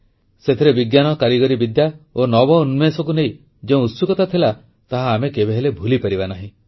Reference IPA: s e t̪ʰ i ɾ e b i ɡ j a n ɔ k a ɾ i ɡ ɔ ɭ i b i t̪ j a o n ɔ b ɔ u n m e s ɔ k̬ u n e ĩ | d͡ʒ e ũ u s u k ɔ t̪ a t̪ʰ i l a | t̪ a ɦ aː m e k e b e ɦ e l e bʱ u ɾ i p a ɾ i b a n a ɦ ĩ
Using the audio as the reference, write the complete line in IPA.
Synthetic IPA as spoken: s e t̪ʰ i ɾ e b i ɡ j a n ɔ k a ɾ i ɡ ɔ ɾ i b i d̪ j a o n ɔ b ɔ u n m e s ɔ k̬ u n e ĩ | d͡ʒ e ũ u s u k ɔ t̪ a t̪ʰ i l a | t̪ a ɦ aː m e k e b e ɦ e l e bʱ u l i p a ɾ i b a n a ɦ ĩ